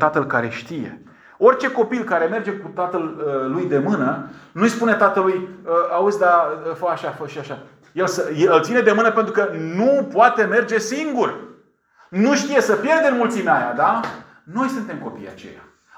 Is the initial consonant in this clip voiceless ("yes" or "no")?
yes